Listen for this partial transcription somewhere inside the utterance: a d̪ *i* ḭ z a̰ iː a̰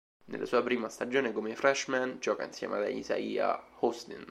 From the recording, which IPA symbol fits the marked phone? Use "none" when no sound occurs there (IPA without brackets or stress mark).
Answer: a